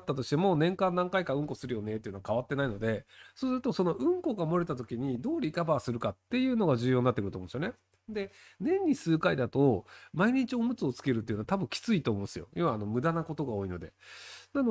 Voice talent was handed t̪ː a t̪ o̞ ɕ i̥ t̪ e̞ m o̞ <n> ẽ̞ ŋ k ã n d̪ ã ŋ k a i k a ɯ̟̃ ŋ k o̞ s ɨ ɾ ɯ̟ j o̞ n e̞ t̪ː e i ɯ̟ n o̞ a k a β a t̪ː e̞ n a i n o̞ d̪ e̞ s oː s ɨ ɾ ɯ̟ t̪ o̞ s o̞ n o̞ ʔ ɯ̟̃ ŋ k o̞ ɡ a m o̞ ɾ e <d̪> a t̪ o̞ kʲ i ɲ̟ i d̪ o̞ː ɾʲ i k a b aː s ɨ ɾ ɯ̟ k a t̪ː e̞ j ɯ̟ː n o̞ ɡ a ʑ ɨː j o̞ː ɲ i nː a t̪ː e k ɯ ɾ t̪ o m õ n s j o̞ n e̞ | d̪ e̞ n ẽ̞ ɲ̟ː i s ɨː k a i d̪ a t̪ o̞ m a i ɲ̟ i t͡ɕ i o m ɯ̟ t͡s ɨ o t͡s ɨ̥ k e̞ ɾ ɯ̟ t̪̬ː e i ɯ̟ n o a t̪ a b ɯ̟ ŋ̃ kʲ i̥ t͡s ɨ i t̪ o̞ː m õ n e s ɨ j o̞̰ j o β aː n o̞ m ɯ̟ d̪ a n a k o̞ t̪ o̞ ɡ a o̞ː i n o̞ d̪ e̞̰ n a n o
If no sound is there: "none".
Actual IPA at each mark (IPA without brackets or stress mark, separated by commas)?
n, t̪